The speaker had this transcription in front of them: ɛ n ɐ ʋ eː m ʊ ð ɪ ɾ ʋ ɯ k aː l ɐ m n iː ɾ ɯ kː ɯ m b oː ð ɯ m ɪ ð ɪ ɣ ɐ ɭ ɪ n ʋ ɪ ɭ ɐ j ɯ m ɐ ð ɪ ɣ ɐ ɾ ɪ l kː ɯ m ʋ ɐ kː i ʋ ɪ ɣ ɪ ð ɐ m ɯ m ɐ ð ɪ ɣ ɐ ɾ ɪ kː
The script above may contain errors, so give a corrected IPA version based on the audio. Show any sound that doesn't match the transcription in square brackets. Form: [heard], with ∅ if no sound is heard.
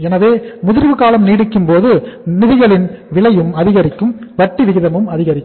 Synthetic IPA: ɛ n ɐ ʋ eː m ʊ ð ɪ ɾ ʋ ɯ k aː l ɐ m n iː [ɽ] ɯ kː ɯ m [p] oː ð ɯ [n] ɪ ð ɪ ɣ ɐ ɭ ɪ n ʋ ɪ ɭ ɐ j ɯ m ɐ ð ɪ ɣ ɐ ɾ ɪ [∅] kː ɯ m ʋ ɐ [ʈː] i ʋ ɪ ɣ ɪ ð ɐ m ɯ m ɐ ð ɪ ɣ ɐ ɾ ɪ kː

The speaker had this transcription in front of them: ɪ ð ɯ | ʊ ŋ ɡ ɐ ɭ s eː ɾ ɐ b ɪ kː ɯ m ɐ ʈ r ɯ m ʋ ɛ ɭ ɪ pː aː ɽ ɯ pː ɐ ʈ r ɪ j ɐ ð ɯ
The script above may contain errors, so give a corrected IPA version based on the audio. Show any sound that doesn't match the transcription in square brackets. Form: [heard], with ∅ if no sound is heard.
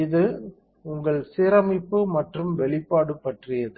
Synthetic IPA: ɪ ð ɯ | ʊ ŋ ɡ ɐ ɭ s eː ɾ ɐ [m] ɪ [pː] ɯ m ɐ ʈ r ɯ m ʋ ɛ ɭ ɪ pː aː ɽ ɯ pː ɐ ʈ r ɪ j ɐ ð ɯ

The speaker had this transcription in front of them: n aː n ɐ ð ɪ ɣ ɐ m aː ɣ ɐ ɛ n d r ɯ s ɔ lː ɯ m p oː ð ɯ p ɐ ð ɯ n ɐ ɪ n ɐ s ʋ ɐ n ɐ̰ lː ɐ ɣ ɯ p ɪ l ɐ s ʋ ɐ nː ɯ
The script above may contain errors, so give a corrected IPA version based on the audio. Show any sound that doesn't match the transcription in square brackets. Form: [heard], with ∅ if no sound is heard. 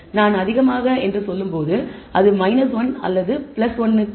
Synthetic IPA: n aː n ɐ ð ɪ ɣ ɐ m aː ɣ ɐ ɛ n d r ɯ s ɔ lː ɯ m p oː ð ɯ [∅] ɐ ð ɯ [m] ɐ ɪ n ɐ s ʋ ɐ n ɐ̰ lː ɐ [ð] ɯ p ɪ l ɐ s ʋ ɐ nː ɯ

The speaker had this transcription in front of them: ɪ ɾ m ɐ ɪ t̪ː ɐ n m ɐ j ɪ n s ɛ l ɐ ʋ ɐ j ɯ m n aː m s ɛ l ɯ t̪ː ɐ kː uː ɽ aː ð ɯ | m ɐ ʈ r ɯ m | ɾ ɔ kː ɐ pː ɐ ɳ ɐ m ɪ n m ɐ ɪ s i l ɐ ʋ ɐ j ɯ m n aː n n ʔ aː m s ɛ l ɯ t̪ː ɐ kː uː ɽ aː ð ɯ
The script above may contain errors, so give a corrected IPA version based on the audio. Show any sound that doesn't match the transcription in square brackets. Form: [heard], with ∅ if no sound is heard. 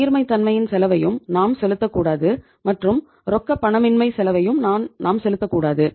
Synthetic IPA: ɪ ɾ m ɐ ɪ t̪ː ɐ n m ɐ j ɪ n s ɛ l ɐ ʋ ɐ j ɯ m n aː m s ɛ l ɯ t̪ː ɐ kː uː ɽ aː ð ɯ | m ɐ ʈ r ɯ m | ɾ ɔ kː ɐ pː ɐ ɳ ɐ m ɪ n m ɐ ɪ s [ɛ] l ɐ ʋ ɐ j ɯ m n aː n n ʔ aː m s ɛ l ɯ t̪ː ɐ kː uː ɽ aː ð ɯ

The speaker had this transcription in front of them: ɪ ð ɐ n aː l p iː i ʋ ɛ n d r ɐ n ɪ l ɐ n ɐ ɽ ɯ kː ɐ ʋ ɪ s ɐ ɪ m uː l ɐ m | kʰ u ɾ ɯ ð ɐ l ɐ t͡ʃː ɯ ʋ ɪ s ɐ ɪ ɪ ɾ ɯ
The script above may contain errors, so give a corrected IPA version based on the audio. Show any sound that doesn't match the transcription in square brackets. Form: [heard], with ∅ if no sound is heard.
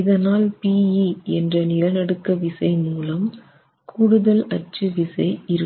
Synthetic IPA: ɪ ð ɐ n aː l p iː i [∅] ɛ n d r ɐ n ɪ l ɐ n ɐ ɽ ɯ kː ɐ ʋ ɪ s ɐ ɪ m uː l ɐ m | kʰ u [ɽ] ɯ ð ɐ l ɐ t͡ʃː ɯ ʋ ɪ s ɐ ɪ ɪ ɾ ɯ

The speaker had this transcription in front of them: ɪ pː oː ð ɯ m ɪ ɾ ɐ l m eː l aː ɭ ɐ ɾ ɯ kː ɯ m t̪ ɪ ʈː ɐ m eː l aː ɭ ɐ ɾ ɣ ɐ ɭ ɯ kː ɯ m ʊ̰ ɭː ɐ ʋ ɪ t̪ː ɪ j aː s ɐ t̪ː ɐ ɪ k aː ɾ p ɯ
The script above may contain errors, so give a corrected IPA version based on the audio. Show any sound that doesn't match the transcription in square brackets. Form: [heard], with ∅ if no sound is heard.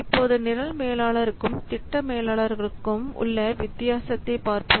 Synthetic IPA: ɪ pː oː ð ɯ [n] ɪ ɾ ɐ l m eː l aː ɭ ɐ ɾ ɯ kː ɯ m t̪ ɪ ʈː ɐ m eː l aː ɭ ɐ ɾ ɣ ɐ ɭ ɯ kː ɯ m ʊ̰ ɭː ɐ ʋ ɪ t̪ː ɪ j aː s ɐ t̪ː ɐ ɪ [p] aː ɾ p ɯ

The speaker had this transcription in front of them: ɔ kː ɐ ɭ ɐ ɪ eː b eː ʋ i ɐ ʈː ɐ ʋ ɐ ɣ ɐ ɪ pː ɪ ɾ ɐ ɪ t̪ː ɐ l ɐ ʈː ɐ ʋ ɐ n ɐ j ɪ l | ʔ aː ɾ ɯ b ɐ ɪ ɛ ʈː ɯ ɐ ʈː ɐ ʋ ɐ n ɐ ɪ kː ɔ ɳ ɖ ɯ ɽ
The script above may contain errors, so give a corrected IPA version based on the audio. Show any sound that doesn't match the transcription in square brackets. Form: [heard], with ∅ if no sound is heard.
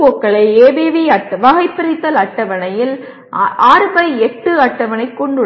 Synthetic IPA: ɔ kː ɐ ɭ ɐ ɪ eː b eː ʋ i ɐ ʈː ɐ ʋ ɐ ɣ ɐ ɪ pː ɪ ɾ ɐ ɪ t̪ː ɐ l ɐ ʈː ɐ ʋ ɐ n ɐ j ɪ l | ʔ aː ɾ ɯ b ɐ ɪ ɛ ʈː ɯ ɐ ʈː ɐ ʋ ɐ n ɐ ɪ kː ɔ ɳ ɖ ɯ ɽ

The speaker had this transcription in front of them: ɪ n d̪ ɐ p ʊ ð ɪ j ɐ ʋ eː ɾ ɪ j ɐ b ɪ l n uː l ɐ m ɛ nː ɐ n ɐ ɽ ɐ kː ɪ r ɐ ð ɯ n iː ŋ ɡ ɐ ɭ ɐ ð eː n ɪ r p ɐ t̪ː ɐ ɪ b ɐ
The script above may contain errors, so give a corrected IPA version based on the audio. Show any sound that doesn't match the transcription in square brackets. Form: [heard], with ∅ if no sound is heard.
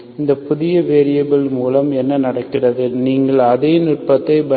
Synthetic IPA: ɪ n d̪ ɐ p ʊ ð ɪ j ɐ ʋ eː ɾ ɪ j ɐ b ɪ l [m] uː l ɐ m ɛ nː ɐ n ɐ ɽ ɐ kː ɪ r ɐ ð ɯ n iː ŋ ɡ ɐ ɭ ɐ ð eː n ɪ r p ɐ t̪ː ɐ ɪ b ɐ

